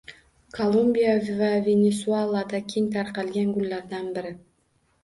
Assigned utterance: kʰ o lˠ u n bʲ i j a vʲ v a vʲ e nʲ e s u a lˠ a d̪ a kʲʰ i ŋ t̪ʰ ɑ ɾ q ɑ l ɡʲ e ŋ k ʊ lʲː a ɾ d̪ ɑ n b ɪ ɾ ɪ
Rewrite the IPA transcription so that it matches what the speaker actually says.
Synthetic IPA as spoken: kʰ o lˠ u m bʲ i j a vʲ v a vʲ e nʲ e s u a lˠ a d̪ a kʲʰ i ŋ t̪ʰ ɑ ɾ q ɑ l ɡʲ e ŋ ɡ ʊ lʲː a ɾ d̪ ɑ n b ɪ ɾ ɪ